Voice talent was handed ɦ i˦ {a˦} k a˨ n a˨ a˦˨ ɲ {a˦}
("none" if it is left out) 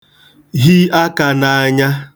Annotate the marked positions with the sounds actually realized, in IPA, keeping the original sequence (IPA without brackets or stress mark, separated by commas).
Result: a˦, a˦